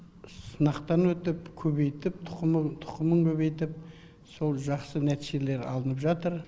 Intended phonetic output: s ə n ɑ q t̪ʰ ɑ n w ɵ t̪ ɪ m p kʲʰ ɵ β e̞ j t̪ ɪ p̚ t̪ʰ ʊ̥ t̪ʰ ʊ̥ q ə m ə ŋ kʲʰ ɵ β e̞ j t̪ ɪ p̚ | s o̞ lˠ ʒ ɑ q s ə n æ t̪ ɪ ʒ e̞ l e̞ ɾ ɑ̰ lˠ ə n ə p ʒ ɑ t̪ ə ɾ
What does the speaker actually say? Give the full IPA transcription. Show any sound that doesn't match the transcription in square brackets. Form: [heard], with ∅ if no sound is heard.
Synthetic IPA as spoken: s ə n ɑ q [t̪] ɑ n w ɵ t̪ ɪ [∅] p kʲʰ ɵ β e̞ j t̪ ɪ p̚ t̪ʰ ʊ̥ t̪ʰ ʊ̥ q ə m ə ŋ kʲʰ ɵ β e̞ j t̪ ɪ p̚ | s o̞ lˠ ʒ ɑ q s ə n æ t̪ [i] ʒ e̞ l e̞ ɾ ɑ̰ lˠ ə n ə p ʒ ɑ t̪ ə ɾ